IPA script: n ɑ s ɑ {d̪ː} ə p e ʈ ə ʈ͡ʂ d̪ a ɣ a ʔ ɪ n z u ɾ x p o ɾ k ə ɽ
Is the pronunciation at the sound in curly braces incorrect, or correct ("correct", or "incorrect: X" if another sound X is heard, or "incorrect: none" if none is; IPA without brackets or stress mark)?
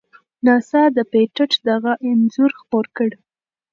incorrect: d̪